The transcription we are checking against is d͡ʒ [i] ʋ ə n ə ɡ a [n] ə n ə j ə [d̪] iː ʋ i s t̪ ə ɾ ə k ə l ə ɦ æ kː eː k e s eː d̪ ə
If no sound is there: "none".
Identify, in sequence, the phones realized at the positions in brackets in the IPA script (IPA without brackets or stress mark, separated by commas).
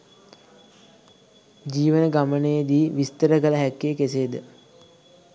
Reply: iː, m, d̪